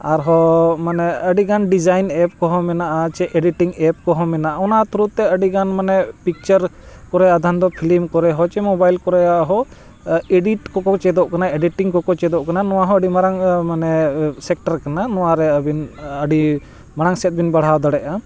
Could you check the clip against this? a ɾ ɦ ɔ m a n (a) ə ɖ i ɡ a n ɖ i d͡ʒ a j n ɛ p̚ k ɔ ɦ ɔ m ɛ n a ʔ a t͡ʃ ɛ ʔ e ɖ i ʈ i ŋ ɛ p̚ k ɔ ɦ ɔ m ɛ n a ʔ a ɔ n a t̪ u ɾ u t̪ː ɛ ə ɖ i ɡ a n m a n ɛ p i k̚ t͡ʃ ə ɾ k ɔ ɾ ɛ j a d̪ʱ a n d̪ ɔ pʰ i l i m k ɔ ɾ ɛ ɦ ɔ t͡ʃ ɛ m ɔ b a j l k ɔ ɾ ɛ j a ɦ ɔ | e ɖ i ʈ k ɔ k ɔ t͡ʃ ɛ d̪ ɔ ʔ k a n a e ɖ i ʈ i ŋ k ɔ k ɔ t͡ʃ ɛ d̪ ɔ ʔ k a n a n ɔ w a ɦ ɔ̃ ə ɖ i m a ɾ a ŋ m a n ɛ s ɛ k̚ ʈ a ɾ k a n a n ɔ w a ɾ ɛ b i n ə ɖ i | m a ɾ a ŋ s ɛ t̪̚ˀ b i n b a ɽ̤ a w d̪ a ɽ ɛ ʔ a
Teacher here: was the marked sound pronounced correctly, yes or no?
no